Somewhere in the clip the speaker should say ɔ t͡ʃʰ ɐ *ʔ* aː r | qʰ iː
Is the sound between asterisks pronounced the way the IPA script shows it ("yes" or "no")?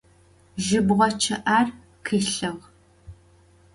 yes